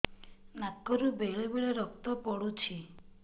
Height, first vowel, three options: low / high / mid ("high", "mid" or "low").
low